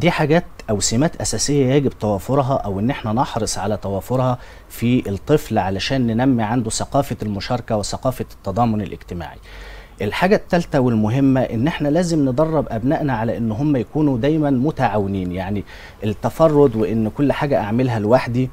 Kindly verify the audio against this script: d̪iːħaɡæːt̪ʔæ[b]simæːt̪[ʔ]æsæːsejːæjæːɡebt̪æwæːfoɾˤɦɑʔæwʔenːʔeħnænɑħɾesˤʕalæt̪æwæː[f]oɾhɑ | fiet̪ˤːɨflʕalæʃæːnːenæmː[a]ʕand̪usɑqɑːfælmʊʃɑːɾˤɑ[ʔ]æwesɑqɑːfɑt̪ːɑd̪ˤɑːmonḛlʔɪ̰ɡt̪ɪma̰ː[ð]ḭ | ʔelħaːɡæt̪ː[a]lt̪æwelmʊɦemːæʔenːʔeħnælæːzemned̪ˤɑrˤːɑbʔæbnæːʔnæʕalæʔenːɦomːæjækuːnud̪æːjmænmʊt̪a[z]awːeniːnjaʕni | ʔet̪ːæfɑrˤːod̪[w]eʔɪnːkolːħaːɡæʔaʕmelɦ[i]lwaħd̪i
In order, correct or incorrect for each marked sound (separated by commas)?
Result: incorrect, correct, correct, incorrect, incorrect, incorrect, incorrect, incorrect, correct, incorrect